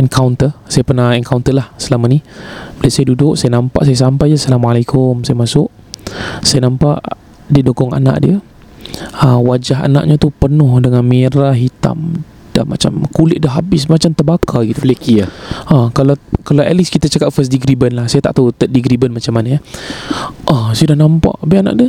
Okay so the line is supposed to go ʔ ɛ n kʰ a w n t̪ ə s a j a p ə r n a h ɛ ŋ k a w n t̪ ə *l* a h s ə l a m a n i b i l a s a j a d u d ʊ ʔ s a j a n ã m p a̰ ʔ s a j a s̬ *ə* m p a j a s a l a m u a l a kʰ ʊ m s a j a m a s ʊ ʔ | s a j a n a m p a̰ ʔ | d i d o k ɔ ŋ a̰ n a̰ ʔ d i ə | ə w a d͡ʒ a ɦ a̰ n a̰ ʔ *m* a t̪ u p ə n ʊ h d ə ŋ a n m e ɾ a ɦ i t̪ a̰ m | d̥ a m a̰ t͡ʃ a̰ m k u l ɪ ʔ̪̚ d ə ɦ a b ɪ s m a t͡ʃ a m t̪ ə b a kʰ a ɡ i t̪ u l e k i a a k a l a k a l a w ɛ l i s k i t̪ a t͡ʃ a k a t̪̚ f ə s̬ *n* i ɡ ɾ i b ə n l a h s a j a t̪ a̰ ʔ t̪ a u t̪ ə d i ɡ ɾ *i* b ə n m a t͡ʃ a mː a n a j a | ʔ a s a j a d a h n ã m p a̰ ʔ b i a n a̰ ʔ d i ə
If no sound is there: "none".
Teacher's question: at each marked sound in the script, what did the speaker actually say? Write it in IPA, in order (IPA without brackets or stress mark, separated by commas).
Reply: l, a, ɲ, d, i